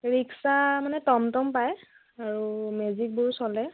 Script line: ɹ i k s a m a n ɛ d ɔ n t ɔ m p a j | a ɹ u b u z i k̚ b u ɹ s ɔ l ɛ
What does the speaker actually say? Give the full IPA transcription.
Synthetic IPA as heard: ɹ i k s a m a n ɛ t ɔ m t ɔ m p a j | a ɹ u m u z i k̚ b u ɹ s ɔ l ɛ